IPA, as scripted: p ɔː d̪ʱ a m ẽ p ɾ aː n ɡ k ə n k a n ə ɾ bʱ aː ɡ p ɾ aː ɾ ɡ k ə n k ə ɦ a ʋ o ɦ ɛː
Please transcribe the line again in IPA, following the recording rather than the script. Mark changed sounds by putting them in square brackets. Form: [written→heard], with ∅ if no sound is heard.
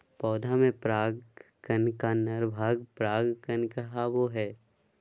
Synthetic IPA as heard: p ɔː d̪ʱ a m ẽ p ɾ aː [n→∅] ɡ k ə n k a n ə ɾ bʱ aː ɡ p ɾ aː [ɾ→∅] ɡ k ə n k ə ɦ a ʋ o ɦ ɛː